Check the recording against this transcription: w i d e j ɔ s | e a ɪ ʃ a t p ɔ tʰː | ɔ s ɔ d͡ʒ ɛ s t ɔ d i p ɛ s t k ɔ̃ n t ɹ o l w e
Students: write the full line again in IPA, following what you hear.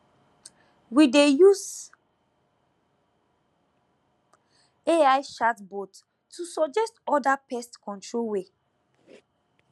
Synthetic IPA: w i d e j u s | e a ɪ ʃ a t b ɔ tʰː | u s ɔ d͡ʒ ɛ s t ɔ d a p ɛ s t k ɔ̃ n t ɹ o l w e